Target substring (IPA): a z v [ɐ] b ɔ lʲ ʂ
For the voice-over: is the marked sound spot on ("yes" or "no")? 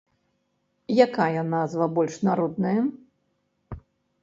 yes